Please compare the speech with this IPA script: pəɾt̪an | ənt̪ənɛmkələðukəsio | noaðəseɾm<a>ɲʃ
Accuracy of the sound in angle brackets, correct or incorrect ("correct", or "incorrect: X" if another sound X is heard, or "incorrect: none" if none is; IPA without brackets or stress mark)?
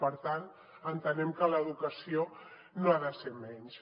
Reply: incorrect: ɛ